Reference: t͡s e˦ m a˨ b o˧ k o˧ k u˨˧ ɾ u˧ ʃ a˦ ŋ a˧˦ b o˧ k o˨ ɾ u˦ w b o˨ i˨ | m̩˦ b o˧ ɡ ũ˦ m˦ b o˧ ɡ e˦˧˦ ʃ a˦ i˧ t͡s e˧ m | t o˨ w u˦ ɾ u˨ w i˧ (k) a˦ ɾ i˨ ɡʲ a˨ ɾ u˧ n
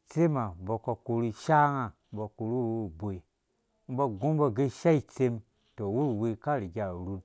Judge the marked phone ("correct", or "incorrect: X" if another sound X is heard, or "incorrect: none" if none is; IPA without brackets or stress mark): correct